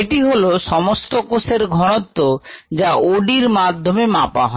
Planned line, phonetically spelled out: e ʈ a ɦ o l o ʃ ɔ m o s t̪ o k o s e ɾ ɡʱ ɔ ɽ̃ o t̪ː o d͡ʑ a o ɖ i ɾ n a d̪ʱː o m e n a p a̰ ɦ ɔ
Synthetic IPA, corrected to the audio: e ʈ i ɦ o l o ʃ ɔ m o s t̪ o k o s e ɾ ɡʱ ɔ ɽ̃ o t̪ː o d͡ʑ a o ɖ i ɾ m a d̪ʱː o m e m a p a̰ ɦ ɔ